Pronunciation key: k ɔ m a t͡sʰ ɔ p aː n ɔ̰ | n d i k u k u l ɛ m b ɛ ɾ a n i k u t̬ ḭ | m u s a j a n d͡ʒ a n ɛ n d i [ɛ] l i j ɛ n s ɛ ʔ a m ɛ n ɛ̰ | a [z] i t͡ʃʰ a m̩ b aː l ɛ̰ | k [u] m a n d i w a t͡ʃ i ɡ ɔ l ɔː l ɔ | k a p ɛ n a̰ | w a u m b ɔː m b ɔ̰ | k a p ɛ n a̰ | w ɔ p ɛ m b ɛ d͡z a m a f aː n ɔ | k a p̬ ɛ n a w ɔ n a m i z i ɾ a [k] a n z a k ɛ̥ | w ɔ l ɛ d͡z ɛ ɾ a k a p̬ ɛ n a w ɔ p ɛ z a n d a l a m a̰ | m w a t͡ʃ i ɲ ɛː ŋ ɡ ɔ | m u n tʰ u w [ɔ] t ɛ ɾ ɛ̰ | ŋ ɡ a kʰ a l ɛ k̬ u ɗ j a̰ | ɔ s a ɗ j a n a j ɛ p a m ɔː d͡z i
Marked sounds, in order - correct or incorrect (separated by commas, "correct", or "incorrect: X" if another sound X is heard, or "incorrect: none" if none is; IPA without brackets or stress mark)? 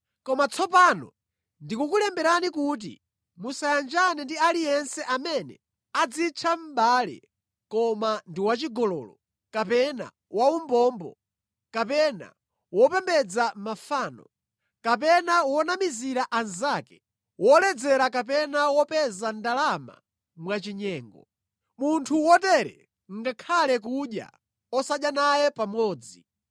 incorrect: a, incorrect: d͡z, incorrect: ɔ, incorrect: ʔ, correct